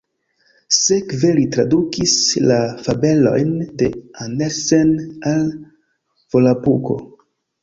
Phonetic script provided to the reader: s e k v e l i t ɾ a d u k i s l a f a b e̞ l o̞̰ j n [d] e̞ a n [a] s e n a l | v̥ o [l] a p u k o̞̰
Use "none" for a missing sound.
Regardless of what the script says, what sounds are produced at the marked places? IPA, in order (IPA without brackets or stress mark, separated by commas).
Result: d, e, l